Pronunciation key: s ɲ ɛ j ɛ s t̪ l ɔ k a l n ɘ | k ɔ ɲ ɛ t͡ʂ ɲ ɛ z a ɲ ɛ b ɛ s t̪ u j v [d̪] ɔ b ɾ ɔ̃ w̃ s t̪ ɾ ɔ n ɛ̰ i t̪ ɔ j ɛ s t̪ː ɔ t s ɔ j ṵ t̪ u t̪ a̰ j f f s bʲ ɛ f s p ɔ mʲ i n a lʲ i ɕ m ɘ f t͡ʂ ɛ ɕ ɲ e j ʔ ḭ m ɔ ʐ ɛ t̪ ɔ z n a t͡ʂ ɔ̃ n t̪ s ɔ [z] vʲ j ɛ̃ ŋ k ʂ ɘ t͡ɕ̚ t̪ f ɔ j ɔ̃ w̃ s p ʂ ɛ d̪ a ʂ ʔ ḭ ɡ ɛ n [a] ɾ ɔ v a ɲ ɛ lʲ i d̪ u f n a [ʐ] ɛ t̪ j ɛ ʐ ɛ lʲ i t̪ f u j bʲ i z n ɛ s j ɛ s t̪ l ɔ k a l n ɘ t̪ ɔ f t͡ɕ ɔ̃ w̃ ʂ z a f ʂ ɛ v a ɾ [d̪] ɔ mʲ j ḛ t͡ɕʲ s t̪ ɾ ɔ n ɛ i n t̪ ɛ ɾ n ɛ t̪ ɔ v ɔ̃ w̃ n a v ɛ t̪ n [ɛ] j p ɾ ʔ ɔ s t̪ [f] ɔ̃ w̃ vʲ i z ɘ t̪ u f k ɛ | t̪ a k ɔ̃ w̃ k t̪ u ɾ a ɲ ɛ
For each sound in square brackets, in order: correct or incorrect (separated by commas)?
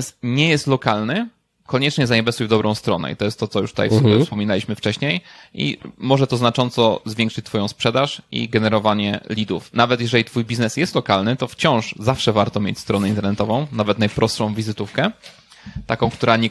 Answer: correct, correct, incorrect, incorrect, incorrect, incorrect, incorrect